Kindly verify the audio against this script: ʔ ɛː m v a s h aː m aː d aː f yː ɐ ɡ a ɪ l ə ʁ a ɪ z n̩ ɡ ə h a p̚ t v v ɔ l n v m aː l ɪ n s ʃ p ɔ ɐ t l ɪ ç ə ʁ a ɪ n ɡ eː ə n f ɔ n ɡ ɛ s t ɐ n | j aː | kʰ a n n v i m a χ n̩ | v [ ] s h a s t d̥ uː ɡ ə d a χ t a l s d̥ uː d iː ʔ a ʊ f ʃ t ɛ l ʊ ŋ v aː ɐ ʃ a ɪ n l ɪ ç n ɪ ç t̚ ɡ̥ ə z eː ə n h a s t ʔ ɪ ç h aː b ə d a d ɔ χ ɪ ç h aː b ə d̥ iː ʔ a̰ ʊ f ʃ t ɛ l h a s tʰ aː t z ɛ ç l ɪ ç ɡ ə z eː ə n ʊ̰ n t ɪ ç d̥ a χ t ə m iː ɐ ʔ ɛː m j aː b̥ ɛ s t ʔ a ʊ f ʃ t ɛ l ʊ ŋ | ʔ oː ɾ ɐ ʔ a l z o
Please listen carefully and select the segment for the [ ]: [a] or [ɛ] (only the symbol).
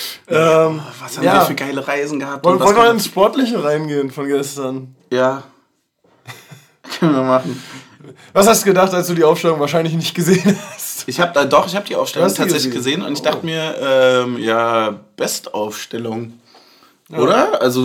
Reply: a